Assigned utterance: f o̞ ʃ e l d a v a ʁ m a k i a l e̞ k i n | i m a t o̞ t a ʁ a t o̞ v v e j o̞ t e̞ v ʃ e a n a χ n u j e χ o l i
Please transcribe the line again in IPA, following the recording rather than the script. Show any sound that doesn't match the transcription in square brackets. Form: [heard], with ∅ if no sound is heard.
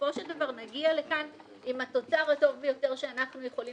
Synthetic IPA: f o̞ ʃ e l d a v a ʁ [n] a [ɡ] i a l e̞ k [a] n | i m a t o̞ [t͡s] a ʁ a t o̞ v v e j o̞ t e̞ [ʁ] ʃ e a n a χ n u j e χ o l i